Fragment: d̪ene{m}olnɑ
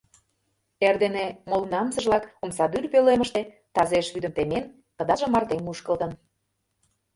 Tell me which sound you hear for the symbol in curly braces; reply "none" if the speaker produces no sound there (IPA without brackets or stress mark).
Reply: m